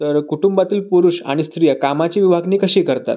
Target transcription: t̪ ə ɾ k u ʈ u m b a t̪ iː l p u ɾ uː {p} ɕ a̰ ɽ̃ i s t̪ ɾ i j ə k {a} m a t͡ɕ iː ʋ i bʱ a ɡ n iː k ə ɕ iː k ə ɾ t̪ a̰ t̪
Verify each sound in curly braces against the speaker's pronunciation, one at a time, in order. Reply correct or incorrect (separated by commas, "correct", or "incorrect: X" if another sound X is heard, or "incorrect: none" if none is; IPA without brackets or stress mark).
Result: incorrect: none, correct